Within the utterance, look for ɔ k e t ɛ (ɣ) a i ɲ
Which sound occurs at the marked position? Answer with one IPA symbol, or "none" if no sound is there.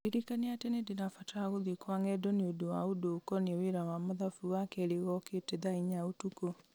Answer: ð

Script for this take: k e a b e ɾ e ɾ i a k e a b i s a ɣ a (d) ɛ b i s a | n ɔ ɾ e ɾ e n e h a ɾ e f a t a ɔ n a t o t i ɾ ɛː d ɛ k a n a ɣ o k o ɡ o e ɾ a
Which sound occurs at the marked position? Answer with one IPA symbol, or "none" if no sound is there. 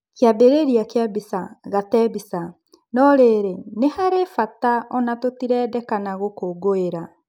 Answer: t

